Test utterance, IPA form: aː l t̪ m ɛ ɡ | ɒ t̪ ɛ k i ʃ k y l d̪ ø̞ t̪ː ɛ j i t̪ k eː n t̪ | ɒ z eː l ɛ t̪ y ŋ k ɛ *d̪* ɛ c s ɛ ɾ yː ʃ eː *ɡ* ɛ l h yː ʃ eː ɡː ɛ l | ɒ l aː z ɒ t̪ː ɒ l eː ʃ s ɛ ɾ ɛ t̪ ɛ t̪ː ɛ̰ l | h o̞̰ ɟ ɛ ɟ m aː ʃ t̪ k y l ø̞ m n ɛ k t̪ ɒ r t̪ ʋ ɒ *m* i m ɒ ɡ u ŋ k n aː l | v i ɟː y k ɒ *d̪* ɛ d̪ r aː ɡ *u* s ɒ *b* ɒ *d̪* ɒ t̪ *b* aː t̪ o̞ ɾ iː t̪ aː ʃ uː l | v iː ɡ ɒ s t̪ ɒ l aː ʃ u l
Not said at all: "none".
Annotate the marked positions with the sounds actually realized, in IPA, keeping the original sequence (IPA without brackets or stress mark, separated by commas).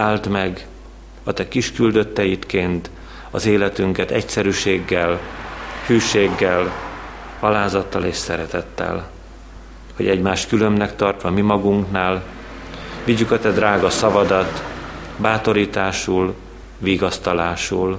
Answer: t̪, ɡː, m, t̪, ɒ, v, d̪, b